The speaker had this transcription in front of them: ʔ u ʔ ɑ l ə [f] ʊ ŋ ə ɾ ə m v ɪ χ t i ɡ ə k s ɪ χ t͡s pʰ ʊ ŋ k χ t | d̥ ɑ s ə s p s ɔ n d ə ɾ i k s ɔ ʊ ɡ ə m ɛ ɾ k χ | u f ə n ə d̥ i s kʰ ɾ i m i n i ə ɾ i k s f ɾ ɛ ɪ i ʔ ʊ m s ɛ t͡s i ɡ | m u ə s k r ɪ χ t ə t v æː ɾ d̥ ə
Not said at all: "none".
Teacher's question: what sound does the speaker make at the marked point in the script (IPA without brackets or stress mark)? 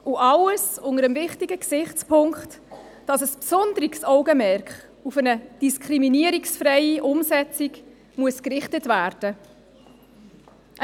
s